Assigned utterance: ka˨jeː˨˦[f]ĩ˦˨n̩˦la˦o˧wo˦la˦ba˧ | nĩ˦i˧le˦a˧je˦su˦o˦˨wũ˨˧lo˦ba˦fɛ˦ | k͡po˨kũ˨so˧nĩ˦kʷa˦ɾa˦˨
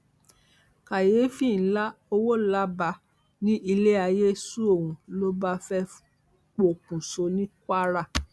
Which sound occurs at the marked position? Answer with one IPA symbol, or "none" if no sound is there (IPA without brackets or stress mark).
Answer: f